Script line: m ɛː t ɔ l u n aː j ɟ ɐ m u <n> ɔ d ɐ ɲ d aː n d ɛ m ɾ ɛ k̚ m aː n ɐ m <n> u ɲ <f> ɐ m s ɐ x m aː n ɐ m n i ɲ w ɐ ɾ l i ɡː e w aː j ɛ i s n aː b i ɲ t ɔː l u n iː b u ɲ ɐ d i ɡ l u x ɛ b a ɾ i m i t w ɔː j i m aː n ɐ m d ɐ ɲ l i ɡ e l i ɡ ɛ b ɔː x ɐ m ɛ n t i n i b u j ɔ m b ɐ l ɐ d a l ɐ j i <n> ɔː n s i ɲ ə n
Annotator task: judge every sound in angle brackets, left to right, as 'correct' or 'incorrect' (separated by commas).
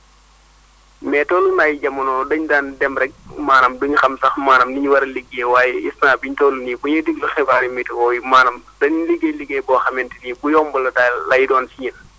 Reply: correct, incorrect, incorrect, incorrect